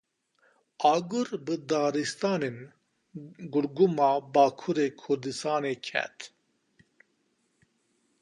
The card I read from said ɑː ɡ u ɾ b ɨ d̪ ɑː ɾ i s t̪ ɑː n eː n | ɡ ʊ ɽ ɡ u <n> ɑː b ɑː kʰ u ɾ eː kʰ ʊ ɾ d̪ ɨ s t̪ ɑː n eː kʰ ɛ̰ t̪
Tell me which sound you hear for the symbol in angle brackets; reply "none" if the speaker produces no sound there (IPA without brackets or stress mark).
m